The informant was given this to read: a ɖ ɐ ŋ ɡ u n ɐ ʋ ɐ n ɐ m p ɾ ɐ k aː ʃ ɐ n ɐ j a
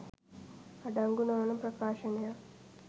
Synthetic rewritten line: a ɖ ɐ ŋ ɡ u n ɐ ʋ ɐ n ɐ m p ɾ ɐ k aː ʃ ɐ n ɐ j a